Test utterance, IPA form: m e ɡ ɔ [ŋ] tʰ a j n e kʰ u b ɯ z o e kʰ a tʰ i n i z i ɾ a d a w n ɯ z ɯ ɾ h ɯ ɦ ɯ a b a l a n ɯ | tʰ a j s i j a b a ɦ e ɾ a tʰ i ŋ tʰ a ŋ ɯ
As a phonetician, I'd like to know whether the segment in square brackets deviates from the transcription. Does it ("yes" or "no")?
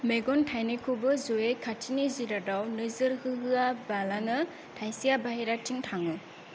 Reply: yes